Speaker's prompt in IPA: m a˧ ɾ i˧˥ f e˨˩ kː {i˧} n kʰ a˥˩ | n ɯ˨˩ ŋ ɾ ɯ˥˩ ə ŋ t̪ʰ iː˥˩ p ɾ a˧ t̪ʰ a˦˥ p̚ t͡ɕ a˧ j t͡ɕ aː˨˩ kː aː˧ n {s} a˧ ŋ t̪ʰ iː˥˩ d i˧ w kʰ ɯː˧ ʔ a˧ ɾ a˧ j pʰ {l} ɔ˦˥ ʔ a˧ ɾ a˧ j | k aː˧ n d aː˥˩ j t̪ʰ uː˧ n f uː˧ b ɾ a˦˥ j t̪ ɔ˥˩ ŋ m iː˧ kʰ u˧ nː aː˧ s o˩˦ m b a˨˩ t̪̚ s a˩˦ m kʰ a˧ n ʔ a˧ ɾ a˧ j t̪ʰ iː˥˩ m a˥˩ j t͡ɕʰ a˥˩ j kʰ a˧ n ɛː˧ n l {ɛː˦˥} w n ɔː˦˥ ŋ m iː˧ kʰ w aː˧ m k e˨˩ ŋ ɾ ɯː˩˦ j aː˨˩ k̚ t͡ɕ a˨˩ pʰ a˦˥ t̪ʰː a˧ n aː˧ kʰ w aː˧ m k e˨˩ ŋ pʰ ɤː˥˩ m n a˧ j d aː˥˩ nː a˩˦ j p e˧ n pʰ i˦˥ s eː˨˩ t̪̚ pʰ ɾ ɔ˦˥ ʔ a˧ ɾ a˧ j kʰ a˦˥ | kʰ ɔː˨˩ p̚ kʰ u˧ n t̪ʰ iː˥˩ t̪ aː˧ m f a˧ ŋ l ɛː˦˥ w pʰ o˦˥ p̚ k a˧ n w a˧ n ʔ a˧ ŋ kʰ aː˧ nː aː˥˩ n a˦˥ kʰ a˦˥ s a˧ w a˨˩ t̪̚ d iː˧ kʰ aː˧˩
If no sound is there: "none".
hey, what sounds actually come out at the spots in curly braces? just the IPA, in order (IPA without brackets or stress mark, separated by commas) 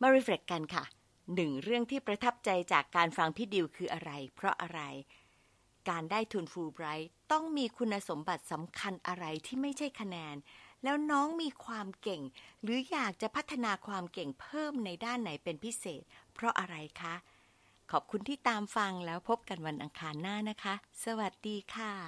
a˧, f, ɾ, ɛː˦˥